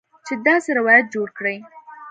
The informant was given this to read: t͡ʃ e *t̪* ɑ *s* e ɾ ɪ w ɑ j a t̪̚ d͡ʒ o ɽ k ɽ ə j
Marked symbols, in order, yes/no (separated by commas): no, yes